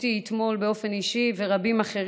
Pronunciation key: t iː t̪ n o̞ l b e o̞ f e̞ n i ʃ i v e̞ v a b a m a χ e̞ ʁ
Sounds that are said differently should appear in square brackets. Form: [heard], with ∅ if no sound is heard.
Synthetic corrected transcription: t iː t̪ [m] o̞ l b e o̞ f e̞ n i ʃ i v e̞ [ʁ] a b [i] m a χ e̞ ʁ